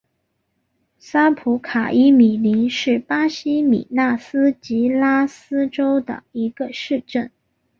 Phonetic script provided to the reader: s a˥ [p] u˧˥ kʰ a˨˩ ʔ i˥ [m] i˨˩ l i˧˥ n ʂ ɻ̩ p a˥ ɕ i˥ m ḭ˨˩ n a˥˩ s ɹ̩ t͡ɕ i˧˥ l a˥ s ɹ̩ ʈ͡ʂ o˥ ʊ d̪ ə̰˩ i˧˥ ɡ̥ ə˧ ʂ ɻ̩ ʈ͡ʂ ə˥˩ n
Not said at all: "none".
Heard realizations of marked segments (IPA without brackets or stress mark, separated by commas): pʰ, m